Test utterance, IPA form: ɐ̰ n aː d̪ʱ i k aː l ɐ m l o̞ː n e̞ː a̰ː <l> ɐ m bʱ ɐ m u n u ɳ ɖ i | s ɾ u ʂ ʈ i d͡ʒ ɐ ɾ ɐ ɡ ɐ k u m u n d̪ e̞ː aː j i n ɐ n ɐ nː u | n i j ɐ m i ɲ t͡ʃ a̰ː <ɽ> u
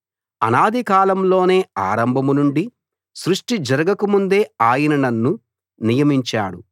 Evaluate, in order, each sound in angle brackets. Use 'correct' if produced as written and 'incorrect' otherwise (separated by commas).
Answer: incorrect, correct